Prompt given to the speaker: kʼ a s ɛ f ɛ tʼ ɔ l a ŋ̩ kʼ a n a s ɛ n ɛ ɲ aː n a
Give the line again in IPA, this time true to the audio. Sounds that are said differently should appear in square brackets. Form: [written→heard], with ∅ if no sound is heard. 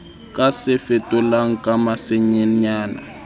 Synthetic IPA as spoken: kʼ a s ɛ f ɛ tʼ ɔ l a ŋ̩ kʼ a [n→m] a s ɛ [n→ɲ] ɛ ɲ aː n a